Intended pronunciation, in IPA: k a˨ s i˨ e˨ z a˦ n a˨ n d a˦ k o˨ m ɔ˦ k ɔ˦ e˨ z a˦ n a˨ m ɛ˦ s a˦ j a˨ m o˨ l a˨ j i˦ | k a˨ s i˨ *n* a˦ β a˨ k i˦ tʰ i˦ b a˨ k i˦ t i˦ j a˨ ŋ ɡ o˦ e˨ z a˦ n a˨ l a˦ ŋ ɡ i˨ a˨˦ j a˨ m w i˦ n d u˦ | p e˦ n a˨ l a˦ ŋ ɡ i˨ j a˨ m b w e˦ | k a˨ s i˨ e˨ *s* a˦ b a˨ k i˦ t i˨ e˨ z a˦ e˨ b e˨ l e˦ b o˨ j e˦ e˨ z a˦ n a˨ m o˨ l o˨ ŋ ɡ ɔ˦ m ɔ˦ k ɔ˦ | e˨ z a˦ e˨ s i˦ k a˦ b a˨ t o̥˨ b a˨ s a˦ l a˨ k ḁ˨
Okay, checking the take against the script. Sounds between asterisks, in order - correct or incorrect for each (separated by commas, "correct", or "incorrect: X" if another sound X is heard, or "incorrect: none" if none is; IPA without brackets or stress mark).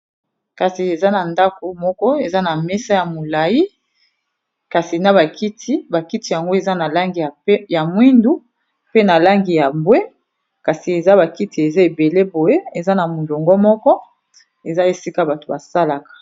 correct, incorrect: z